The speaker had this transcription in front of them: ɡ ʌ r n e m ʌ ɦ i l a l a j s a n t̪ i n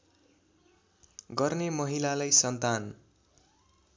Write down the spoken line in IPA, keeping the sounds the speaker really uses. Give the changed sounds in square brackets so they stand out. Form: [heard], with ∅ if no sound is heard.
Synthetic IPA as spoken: ɡ ʌ r n e m ʌ ɦ i l a l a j s [ʌ] n t̪ [a] n